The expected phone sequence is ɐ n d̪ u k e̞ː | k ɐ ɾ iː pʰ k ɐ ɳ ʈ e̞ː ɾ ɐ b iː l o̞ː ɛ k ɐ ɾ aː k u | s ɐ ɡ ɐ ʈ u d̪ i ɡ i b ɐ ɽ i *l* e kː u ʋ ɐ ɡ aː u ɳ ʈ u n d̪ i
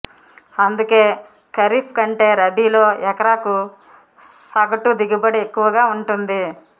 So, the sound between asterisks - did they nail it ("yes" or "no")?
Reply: no